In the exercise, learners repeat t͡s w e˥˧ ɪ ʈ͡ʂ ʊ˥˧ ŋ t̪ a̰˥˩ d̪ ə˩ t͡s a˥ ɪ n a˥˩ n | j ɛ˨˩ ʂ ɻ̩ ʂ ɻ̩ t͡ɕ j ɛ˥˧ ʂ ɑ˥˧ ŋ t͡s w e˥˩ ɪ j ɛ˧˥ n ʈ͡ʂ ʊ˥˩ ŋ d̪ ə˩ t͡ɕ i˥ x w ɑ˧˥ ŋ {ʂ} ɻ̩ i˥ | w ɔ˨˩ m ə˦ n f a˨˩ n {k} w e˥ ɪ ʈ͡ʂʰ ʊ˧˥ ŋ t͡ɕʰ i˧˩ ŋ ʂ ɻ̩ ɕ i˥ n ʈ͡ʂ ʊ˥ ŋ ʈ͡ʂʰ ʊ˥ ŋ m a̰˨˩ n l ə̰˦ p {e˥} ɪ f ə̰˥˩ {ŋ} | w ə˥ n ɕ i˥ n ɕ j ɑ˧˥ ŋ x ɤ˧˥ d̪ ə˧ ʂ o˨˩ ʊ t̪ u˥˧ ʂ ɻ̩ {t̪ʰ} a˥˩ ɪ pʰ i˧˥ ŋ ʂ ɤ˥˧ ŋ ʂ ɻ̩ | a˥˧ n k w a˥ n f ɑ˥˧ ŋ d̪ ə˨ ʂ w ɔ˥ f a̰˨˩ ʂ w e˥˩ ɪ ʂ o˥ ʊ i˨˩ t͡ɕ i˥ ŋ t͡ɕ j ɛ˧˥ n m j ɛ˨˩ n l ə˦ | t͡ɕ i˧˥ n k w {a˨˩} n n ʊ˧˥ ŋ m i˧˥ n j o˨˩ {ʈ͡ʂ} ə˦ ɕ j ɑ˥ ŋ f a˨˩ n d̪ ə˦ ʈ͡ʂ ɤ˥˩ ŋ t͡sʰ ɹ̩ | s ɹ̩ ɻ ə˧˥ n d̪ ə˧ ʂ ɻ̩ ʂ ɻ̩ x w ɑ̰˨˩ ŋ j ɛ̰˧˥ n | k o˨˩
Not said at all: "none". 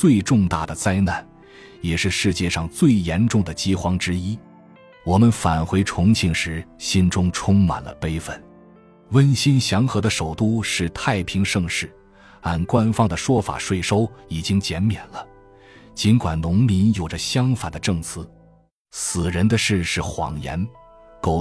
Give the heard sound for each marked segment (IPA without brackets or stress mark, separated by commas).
ʈ͡ʂ, x, e˥, n, t̪ʰ, a˨˩, ʈ͡ʂ